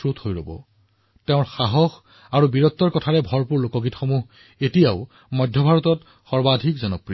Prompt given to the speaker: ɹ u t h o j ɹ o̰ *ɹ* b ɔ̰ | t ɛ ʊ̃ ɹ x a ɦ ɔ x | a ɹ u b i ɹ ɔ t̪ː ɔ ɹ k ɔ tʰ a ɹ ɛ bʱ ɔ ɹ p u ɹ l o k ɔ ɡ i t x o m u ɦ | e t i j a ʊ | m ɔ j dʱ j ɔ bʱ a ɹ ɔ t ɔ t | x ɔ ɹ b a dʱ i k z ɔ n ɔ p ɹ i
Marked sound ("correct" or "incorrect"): incorrect